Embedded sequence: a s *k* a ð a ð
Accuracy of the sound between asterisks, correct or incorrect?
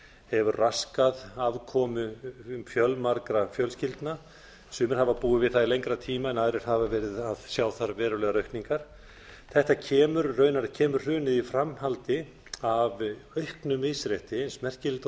correct